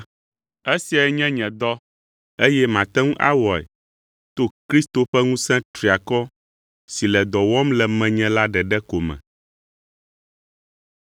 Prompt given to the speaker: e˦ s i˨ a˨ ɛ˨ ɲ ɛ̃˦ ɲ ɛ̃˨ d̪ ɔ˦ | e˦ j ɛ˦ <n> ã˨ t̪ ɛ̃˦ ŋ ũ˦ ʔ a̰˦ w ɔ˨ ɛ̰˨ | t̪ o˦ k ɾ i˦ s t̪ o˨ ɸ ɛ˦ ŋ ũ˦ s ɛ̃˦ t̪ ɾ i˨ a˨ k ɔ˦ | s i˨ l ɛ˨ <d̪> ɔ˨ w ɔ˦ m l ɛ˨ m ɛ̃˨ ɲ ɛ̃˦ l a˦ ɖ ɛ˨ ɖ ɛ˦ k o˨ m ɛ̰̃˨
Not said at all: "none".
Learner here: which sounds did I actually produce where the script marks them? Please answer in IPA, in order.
m, d̪

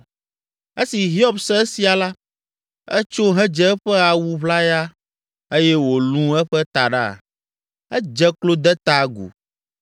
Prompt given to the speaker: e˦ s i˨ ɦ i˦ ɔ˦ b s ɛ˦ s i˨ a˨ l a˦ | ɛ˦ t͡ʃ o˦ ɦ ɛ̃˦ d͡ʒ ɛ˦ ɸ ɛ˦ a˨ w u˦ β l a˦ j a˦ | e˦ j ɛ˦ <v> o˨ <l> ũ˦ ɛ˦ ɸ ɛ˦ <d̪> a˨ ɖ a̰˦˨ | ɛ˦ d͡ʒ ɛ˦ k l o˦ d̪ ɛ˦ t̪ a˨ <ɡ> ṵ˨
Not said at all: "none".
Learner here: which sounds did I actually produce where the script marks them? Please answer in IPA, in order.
w, l, t̪, ɡ

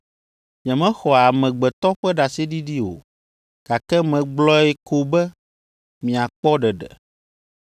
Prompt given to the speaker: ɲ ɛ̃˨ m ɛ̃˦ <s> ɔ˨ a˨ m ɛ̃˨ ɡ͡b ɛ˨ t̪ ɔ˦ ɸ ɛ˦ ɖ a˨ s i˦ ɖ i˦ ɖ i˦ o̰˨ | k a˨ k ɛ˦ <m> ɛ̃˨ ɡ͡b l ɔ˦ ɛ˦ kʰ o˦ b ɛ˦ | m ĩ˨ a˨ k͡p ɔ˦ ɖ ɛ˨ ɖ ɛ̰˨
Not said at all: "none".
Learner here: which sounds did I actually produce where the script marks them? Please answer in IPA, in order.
x, m

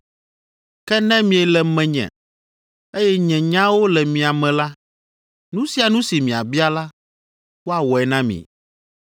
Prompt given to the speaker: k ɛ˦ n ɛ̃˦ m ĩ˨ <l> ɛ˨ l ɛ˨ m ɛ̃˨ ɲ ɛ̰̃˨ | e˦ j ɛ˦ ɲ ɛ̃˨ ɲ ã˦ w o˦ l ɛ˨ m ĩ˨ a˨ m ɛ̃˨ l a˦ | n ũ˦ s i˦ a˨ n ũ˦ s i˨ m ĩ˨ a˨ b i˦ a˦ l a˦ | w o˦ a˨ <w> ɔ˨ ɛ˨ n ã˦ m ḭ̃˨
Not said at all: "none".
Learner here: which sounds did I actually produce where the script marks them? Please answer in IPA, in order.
none, w

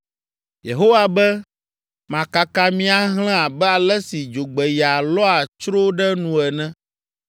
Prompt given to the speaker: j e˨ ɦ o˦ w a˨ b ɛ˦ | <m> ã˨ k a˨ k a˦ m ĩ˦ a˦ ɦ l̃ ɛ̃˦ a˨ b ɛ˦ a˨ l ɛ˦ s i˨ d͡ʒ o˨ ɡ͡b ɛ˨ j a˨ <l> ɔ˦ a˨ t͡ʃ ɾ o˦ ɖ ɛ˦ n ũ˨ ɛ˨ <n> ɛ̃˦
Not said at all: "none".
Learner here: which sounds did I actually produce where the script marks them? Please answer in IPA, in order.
m, l, n

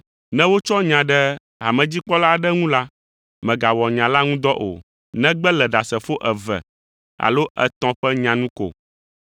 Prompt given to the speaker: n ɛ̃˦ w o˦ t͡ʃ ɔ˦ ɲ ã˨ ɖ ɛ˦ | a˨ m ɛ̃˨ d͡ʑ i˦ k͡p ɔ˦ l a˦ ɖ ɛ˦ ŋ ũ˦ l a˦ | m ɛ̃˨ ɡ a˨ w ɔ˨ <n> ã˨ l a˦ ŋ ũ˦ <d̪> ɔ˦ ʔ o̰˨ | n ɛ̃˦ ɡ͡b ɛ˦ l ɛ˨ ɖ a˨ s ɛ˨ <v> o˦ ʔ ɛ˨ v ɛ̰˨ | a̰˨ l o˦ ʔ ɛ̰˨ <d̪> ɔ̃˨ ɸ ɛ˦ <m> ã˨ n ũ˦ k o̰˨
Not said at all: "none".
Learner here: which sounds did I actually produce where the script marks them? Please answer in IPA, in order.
ɲ, d̪, f, t̪, ɲ

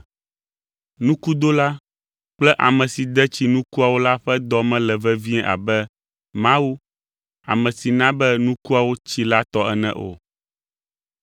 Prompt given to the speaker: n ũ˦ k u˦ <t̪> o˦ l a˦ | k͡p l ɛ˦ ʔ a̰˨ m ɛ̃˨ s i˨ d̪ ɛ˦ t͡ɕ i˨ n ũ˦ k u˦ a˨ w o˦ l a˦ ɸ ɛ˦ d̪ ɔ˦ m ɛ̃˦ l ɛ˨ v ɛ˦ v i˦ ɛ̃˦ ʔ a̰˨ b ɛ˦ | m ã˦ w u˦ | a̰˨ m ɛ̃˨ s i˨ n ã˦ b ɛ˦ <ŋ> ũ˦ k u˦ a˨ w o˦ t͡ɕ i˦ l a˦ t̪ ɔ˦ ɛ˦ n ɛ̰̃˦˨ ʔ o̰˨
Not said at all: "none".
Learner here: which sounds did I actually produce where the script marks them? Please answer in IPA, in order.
d̪, n

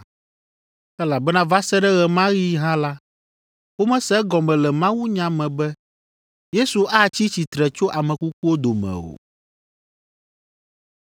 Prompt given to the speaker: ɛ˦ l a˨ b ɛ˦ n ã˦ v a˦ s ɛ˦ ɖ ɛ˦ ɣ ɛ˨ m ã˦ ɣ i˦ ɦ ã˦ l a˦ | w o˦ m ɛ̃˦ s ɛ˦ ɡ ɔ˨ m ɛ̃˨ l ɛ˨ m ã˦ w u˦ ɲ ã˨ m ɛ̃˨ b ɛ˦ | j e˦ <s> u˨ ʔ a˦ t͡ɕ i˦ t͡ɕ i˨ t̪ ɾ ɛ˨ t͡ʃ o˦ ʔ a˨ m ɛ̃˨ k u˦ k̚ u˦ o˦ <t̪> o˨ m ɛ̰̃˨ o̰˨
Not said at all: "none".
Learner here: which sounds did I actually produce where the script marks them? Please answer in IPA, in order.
s, d̪

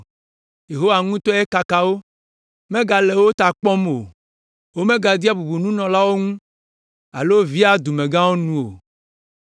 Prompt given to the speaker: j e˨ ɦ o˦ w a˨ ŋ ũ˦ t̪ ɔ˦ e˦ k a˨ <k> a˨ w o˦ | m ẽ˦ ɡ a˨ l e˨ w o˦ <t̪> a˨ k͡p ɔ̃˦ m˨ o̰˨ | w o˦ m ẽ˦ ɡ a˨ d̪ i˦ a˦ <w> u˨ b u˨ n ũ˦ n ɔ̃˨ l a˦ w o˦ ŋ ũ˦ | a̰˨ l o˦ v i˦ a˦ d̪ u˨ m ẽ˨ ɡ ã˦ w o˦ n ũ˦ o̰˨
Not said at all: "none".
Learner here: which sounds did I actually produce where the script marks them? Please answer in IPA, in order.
k, t̪, b

